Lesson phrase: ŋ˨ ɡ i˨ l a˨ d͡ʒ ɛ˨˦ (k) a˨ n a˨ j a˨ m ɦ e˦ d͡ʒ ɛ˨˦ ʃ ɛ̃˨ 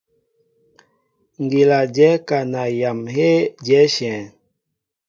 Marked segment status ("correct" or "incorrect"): correct